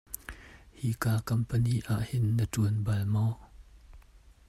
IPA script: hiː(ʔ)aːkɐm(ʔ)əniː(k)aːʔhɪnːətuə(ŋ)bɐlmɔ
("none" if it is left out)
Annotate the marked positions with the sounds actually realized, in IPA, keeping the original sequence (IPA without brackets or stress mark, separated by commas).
k, p, ʔ, n